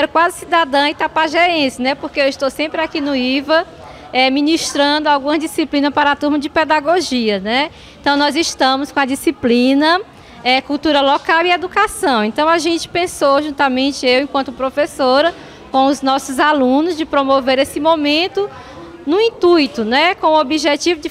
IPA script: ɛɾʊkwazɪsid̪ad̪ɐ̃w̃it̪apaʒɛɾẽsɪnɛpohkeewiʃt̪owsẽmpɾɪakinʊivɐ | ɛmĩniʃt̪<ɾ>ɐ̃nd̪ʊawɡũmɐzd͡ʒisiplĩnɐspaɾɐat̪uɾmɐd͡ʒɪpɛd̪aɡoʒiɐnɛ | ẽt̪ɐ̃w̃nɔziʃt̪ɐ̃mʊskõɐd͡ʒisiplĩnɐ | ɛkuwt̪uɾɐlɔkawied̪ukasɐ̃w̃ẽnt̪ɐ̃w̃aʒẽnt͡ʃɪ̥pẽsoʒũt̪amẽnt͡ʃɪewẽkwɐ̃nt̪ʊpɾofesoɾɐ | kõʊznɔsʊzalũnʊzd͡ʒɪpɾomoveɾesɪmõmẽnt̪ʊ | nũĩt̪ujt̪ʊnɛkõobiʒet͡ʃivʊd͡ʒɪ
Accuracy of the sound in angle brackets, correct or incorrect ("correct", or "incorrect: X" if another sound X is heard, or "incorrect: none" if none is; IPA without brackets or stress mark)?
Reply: correct